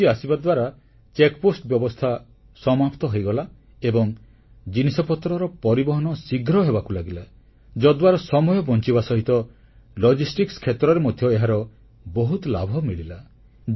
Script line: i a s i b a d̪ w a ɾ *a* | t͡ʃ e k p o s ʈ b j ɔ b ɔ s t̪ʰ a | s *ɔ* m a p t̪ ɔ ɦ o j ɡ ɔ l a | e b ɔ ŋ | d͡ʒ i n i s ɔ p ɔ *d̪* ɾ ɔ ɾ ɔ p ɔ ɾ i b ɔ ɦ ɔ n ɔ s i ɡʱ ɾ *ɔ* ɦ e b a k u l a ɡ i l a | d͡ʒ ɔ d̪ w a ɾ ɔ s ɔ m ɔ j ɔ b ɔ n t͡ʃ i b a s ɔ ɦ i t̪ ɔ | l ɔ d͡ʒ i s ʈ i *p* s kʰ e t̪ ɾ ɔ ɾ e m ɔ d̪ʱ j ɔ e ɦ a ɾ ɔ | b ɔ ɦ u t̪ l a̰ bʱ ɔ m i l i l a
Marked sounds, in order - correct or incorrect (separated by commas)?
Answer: correct, correct, incorrect, correct, incorrect